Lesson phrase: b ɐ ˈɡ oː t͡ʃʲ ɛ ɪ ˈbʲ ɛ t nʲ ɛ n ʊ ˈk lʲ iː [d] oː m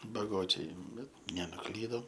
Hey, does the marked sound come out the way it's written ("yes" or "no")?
yes